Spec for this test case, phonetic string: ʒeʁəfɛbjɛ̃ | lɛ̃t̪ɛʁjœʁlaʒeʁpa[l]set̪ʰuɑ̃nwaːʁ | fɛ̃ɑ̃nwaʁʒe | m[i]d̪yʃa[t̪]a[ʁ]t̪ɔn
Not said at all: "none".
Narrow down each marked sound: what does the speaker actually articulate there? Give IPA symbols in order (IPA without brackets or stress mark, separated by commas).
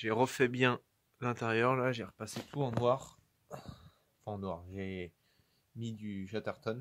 none, i, t̪, ʁ